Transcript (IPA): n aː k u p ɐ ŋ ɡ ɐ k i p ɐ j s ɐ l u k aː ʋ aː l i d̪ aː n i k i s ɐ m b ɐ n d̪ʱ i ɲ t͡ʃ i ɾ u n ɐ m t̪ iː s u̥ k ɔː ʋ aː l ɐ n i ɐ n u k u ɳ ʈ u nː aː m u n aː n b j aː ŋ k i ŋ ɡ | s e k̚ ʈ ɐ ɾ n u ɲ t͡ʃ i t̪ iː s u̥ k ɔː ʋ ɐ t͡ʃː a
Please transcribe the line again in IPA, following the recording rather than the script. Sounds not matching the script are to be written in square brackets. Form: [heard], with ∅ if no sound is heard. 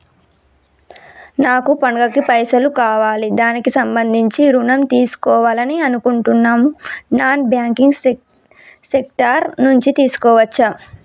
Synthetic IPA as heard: n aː k u p ɐ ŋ ɡ ɐ k i p ɐ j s ɐ l u k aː ʋ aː l i d̪ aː n i k i s ɐ m b ɐ n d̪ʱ i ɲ t͡ʃ i ɾ u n ɐ m t̪ iː s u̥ k ɔː ʋ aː l ɐ n i ɐ n u k u ɳ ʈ u nː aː m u n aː n b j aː ŋ k i ŋ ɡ | s e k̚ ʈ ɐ ɾ n u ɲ t͡ʃ i t̪ iː s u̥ k ɔː ʋ ɐ t͡ʃː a